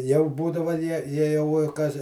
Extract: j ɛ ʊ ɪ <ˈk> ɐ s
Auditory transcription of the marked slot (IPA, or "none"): k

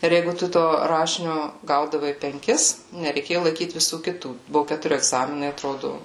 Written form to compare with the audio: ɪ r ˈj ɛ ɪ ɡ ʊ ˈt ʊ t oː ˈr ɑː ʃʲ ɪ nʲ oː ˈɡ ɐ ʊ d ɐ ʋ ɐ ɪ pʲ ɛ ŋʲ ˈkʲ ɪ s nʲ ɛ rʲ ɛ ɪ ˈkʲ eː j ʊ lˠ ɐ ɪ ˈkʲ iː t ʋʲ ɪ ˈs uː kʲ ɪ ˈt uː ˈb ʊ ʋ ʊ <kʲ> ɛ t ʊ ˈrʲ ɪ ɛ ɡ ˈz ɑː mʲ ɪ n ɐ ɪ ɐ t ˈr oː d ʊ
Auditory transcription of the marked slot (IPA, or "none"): kʲ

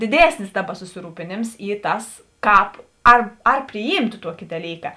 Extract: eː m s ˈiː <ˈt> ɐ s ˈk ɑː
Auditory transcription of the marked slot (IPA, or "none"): t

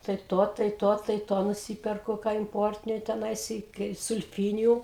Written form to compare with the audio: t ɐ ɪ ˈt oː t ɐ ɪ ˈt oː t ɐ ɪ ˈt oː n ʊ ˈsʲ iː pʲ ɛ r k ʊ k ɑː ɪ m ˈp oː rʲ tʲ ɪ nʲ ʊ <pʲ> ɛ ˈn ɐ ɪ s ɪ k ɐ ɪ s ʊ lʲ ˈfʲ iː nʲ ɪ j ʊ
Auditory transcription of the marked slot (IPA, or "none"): tʲ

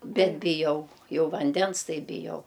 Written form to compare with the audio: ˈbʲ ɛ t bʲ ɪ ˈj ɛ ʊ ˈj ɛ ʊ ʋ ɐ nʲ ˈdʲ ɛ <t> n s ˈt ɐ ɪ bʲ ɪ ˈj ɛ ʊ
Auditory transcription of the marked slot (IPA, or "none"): none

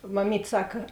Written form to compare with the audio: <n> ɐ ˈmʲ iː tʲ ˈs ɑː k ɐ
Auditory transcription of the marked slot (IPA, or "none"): m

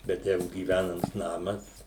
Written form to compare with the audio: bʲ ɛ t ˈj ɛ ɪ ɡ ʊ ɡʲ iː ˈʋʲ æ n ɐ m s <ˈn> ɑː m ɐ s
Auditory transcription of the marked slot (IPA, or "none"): n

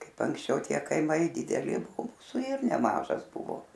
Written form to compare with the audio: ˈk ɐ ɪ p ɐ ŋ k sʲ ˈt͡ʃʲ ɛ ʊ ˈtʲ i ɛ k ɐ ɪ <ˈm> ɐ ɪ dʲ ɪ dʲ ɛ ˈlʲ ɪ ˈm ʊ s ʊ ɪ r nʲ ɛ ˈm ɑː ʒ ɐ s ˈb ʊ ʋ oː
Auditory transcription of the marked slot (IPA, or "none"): m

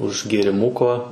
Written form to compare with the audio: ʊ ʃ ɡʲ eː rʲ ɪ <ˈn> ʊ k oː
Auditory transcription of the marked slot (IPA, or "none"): m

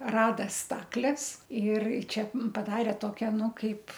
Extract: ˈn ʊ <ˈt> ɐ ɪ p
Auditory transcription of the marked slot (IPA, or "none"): k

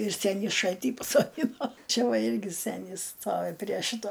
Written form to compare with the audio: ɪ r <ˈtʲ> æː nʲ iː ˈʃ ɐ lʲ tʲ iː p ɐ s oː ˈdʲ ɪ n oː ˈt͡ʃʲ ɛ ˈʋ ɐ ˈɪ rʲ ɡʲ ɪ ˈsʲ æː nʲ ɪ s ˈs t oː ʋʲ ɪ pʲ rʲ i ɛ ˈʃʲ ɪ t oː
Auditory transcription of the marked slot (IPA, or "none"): sʲ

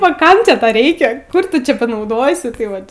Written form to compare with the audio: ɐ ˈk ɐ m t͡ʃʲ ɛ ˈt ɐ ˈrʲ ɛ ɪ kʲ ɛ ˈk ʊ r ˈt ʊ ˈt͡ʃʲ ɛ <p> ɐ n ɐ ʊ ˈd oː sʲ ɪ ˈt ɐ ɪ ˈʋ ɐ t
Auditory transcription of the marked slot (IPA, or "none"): p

